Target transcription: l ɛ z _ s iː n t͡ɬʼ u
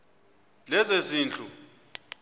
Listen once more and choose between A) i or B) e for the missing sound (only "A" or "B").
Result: B